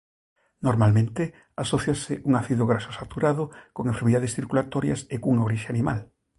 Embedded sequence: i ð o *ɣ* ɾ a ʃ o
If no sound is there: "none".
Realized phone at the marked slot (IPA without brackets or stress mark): ɣ